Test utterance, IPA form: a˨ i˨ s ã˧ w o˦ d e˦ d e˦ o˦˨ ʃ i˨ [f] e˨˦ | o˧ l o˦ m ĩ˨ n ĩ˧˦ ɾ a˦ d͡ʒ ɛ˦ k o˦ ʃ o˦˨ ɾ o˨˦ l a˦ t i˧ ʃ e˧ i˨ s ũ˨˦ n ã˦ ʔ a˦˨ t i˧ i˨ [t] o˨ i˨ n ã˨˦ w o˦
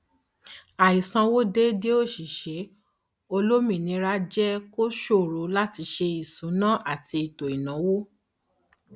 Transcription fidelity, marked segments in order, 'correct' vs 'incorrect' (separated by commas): incorrect, correct